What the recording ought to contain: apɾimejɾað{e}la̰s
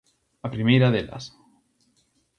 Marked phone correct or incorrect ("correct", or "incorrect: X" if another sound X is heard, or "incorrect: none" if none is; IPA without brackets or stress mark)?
correct